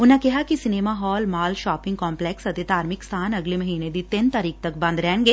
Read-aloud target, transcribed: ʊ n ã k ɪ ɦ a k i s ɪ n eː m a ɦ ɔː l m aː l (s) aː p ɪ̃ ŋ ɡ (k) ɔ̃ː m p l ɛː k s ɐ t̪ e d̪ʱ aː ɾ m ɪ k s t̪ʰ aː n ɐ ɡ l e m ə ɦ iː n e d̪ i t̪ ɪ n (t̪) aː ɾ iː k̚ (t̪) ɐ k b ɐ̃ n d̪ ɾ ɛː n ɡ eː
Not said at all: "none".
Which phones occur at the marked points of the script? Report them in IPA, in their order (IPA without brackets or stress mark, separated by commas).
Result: ʃ, k, t̪, t̪